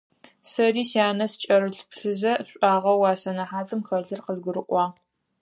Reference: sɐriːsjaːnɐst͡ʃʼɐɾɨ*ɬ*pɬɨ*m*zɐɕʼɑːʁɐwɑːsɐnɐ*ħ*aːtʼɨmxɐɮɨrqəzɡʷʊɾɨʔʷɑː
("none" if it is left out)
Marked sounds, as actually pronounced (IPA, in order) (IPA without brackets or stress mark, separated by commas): ɬ, none, ħ